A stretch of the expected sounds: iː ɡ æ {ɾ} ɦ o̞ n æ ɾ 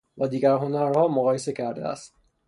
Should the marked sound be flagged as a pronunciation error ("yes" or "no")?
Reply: no